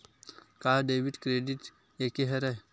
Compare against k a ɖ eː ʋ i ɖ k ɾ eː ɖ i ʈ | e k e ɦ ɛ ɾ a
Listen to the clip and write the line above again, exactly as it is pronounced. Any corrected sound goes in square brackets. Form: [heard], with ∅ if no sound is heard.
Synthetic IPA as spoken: k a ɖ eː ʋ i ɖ k ɾ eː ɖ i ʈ | e k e ɦ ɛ ɾ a